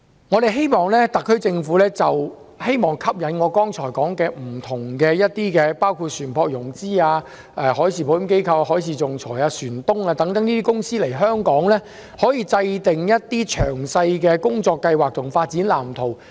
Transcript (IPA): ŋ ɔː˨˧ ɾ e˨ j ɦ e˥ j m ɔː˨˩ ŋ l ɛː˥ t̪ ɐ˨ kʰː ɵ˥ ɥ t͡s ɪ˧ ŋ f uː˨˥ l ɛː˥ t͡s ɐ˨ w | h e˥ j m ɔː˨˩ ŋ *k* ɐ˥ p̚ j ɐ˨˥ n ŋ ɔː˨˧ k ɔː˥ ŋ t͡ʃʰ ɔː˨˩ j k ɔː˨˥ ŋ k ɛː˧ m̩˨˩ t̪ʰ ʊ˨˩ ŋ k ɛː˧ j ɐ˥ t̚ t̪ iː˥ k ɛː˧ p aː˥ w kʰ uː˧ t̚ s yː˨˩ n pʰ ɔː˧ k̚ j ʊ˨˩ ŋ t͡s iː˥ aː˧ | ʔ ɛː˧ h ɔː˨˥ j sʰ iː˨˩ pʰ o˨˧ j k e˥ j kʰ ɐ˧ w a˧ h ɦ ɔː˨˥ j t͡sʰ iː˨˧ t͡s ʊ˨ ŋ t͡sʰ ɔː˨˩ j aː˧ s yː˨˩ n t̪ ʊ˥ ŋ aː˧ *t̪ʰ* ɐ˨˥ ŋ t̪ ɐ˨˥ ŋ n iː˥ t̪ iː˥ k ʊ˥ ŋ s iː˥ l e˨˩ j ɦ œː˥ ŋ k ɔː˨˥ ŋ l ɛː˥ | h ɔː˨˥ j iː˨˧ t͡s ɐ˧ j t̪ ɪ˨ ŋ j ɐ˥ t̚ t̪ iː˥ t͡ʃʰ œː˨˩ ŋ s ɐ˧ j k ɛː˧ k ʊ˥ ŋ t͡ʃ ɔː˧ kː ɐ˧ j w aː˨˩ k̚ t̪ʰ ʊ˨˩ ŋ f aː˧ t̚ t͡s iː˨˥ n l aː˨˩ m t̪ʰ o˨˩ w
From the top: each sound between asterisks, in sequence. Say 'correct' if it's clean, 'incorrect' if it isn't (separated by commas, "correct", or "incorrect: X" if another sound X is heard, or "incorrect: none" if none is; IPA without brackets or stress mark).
incorrect: kʰ, incorrect: t̪